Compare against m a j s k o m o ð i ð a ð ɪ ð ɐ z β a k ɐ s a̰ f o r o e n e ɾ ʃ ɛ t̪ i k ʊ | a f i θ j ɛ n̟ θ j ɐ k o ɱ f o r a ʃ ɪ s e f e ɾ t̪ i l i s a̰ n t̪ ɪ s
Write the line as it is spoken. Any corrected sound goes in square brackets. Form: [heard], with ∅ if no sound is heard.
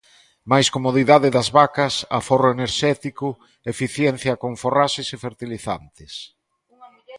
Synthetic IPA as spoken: m a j s k o m o ð i ð a ð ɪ ð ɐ z β a k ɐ s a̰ f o r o e n e ɾ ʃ ɛ t̪ i k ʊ | [e] f i θ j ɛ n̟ θ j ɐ k o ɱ f o r a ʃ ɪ s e f e ɾ t̪ i l i [θ] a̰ n t̪ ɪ s